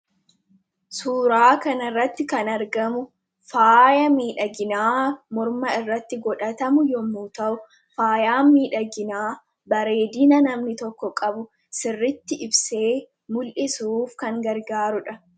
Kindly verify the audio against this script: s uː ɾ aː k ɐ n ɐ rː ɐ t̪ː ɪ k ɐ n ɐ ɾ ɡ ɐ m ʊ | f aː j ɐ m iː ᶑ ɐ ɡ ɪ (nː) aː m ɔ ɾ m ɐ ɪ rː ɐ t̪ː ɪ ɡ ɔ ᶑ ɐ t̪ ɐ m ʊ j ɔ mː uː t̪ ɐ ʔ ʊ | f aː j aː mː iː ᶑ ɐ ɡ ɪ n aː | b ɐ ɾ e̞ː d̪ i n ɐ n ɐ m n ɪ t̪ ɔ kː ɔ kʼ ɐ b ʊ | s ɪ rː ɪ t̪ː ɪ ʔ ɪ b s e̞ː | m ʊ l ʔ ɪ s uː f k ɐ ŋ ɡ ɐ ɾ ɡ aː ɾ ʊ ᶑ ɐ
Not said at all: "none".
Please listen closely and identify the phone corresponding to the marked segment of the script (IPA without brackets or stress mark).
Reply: n